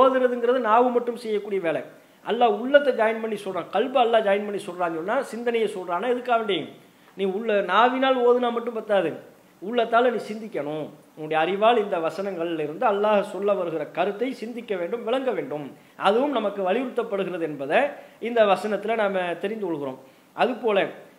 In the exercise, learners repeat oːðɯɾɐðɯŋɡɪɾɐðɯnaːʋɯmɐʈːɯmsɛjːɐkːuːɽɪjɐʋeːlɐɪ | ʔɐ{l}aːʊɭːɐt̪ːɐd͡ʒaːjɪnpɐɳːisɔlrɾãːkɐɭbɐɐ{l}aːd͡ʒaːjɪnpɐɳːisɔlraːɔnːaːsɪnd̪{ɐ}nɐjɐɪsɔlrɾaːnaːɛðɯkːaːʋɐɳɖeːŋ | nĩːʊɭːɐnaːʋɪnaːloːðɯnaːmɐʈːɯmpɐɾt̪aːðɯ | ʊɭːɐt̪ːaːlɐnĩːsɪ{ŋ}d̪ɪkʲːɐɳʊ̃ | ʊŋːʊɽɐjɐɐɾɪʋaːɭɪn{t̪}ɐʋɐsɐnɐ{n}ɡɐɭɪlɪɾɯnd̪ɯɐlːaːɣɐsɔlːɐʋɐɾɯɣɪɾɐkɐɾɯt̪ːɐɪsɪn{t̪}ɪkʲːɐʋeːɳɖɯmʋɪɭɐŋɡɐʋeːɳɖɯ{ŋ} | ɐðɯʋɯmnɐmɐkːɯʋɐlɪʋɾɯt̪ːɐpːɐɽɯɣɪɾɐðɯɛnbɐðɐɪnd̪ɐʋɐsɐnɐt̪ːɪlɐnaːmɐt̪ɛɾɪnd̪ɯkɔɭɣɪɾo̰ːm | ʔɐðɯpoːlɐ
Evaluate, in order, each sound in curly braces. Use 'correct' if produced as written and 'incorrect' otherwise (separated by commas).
incorrect, incorrect, correct, incorrect, incorrect, incorrect, incorrect, incorrect